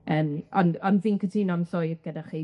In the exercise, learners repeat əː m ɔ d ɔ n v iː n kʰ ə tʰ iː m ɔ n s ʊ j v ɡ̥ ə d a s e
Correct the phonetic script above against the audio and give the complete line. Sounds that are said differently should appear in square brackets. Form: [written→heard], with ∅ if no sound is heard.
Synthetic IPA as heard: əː m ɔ [d→n] ɔ n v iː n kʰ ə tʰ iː [m→n] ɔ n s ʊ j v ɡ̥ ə d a [s→χ] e